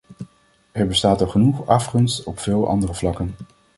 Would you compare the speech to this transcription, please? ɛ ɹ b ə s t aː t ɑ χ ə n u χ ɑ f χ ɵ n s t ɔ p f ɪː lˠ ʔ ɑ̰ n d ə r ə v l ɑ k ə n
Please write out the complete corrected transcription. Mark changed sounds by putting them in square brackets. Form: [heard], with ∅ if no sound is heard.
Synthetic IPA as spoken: ɛ ɹ b ə s t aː t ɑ χ ə n u χ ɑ f χ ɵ n s t ɔ p f ɪː lˠ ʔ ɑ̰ n d ə r ə v l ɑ k ə n